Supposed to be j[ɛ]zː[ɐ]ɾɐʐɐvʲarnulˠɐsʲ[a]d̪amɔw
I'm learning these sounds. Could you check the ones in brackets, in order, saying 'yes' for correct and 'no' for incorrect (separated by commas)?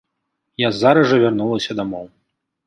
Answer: no, no, no